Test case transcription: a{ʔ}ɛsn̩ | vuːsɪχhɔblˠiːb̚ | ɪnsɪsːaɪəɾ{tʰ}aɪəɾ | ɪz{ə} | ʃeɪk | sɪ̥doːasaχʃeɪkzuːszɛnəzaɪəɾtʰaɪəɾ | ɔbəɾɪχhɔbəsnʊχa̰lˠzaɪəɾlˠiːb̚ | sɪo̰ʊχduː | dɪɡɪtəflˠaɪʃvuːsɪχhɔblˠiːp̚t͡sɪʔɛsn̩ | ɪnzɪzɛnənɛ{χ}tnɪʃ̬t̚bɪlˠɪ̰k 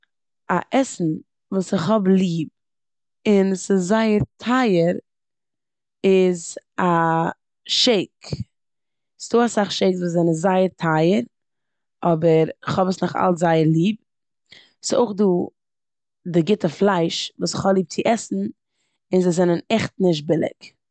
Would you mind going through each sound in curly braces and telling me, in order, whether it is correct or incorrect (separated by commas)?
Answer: correct, correct, incorrect, correct